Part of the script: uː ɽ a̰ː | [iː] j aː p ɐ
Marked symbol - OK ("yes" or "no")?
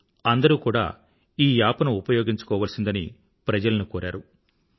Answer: yes